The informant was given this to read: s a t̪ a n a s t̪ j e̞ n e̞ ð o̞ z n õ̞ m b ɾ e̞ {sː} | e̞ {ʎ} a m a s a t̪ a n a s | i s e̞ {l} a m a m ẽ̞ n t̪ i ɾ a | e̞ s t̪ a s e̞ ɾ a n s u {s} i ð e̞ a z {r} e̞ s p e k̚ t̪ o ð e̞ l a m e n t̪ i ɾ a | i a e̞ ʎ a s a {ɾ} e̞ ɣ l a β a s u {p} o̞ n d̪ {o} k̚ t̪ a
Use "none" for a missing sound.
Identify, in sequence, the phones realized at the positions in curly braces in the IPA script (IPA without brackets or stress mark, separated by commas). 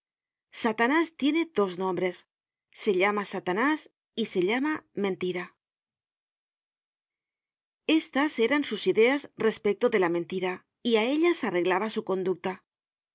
sː, ʎ, ʎ, s, r, r, k, u